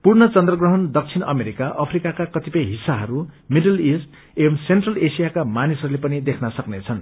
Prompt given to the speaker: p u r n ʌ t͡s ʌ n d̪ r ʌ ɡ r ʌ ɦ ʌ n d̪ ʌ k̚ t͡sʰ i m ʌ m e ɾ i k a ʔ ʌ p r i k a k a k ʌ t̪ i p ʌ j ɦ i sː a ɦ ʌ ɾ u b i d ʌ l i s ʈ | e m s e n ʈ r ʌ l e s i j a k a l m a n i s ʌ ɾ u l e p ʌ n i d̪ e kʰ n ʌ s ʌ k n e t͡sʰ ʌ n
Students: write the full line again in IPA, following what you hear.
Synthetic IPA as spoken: p u r n ʌ t͡s ʌ n d̪ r ʌ ɡ r ʌ ɦ ʌ n d̪ ʌ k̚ t͡sʰ i n ʌ m e ɾ i k a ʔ ʌ pʰ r i k a k a k ʌ t̪ i p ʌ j ɦ i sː a ɦ ʌ ɾ u m i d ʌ l i s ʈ | e m s e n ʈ r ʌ l e s i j a k a m a n i s ʌ ɾ u l e p ʌ n i d̪ e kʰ n ʌ s ʌ k n e t͡sʰ ʌ n